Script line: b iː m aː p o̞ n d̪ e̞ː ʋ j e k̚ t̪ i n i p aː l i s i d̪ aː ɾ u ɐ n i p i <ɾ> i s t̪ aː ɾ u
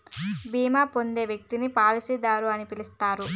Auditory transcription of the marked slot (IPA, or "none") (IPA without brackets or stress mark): l